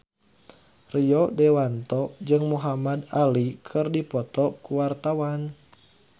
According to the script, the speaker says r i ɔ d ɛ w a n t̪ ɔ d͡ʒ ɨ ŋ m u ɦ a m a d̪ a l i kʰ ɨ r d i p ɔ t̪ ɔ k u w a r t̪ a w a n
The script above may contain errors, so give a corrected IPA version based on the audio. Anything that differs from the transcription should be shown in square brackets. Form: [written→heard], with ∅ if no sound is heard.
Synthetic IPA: r i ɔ d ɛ w a n t̪ ɔ d͡ʒ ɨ ŋ m u ɦ a m a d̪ a l i kʰ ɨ r d i p ɔ t̪ ɔ k u w a r t̪ a w a n